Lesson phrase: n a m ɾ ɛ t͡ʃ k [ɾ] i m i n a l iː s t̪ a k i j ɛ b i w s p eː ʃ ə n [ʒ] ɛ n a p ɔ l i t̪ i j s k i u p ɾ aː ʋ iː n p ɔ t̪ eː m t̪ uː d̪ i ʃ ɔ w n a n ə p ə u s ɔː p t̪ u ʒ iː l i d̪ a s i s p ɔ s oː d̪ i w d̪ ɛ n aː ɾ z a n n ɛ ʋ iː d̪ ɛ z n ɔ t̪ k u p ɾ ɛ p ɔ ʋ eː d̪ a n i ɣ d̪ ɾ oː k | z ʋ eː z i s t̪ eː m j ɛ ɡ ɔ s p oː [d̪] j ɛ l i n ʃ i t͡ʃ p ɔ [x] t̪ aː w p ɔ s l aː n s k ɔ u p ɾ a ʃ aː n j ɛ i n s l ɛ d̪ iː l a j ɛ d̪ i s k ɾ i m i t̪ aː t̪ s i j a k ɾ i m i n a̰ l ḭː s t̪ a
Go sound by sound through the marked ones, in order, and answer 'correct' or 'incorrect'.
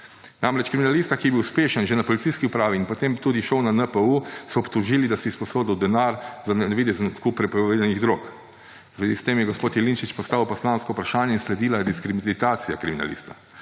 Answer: correct, correct, incorrect, incorrect

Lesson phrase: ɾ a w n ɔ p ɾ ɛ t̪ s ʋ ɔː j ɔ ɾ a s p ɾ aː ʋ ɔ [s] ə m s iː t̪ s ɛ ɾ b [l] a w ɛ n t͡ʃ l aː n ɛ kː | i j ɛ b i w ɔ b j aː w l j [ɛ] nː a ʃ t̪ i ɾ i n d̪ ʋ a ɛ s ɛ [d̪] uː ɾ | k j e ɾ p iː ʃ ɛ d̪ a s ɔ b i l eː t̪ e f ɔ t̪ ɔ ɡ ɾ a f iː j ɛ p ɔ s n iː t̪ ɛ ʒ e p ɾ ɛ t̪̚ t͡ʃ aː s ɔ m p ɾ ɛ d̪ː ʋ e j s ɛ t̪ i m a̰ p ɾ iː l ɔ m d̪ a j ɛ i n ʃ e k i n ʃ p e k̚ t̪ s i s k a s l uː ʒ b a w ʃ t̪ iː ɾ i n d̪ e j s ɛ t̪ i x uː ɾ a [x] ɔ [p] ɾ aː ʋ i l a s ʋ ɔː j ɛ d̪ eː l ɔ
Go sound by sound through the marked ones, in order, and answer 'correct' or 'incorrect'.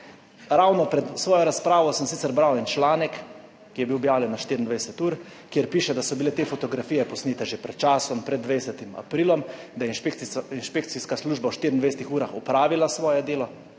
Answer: correct, incorrect, correct, incorrect, correct, correct

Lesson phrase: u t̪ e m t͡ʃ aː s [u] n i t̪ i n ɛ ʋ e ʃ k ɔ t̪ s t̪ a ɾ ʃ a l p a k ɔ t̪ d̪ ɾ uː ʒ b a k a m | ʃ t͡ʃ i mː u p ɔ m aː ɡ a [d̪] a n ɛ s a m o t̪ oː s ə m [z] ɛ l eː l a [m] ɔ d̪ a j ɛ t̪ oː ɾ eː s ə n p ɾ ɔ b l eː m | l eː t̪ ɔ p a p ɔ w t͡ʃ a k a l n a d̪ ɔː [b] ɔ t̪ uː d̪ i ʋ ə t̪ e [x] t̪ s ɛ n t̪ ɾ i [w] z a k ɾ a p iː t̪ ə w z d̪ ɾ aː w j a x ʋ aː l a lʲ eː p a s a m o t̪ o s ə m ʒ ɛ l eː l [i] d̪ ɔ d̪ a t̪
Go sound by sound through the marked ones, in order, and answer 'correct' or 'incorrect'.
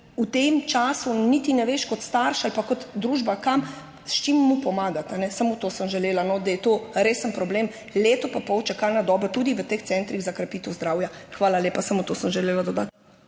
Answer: correct, incorrect, incorrect, incorrect, correct, correct, incorrect, incorrect

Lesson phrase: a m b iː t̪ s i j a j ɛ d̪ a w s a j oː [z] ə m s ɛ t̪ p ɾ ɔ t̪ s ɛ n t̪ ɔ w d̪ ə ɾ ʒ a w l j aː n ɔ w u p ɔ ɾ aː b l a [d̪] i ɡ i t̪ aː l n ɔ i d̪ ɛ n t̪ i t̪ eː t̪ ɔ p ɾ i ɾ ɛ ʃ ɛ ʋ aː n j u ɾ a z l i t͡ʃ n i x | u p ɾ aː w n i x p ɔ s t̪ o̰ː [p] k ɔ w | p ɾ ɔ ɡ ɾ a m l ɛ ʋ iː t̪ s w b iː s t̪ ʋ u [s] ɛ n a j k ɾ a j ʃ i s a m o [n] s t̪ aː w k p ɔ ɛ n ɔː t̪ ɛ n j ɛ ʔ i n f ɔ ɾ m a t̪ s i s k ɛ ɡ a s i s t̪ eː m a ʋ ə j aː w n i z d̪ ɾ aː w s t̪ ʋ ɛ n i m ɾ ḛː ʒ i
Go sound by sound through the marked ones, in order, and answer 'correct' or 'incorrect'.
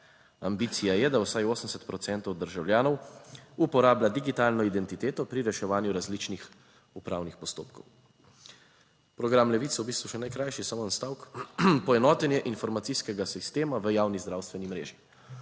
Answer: incorrect, correct, correct, incorrect, correct

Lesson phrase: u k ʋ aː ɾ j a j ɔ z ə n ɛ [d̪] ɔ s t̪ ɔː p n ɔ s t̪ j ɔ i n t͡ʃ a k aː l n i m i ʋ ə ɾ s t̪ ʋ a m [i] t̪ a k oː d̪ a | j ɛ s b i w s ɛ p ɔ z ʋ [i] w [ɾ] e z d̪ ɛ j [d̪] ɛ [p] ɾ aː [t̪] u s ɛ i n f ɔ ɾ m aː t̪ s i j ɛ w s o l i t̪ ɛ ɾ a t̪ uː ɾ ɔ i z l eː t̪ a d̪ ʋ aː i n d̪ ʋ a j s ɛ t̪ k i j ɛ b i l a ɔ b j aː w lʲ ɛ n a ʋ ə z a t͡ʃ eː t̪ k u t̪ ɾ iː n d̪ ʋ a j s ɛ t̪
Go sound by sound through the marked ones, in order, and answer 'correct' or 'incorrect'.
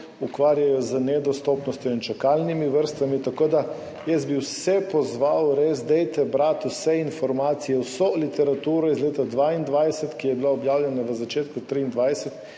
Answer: correct, correct, incorrect, correct, incorrect, incorrect, correct

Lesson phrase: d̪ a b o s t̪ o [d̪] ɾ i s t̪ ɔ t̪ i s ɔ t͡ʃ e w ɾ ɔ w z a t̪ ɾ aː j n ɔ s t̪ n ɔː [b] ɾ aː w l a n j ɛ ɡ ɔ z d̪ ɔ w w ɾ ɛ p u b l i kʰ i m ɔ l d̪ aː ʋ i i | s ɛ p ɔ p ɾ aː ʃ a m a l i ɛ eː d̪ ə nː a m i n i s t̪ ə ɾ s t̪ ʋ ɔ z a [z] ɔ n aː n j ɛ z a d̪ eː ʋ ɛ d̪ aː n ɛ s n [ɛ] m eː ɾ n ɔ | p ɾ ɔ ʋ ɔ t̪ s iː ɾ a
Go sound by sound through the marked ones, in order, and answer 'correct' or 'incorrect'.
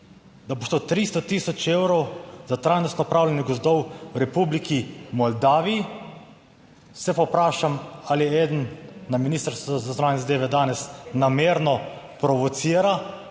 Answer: incorrect, incorrect, correct, incorrect

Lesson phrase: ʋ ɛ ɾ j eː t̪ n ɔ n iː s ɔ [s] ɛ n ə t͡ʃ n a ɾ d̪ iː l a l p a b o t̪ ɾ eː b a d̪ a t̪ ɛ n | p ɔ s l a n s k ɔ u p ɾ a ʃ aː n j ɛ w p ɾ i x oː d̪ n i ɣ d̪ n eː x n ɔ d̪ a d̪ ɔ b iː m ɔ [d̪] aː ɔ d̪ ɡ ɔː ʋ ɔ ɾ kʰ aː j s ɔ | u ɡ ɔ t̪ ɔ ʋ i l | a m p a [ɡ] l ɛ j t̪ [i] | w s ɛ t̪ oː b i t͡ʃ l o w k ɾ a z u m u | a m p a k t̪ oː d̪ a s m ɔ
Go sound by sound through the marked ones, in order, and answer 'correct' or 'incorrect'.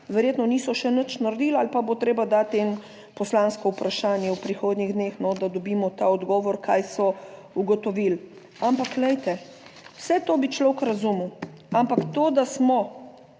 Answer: incorrect, incorrect, incorrect, incorrect

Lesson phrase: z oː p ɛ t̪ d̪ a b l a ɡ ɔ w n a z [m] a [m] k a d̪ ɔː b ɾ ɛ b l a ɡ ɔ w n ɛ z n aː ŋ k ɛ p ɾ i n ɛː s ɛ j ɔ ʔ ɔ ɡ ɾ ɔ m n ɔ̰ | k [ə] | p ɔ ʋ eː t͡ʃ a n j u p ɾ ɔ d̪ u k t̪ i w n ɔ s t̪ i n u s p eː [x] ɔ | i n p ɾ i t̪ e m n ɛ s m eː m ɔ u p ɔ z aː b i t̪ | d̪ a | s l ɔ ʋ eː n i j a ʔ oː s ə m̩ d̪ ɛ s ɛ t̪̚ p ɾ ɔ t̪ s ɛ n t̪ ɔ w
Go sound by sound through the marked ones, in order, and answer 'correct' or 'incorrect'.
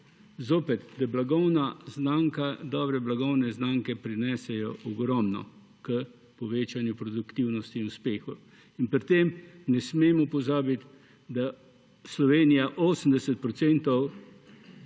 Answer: incorrect, incorrect, correct, correct

